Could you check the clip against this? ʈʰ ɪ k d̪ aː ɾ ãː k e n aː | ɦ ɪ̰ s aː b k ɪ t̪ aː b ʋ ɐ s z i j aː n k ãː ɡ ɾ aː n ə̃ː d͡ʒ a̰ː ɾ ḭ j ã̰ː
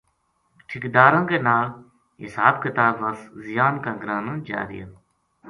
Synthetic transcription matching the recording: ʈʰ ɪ k d̪ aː ɾ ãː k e n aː | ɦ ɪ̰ s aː b k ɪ t̪ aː b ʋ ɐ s z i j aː n k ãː ɡ ɾ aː n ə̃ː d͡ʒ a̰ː ɾ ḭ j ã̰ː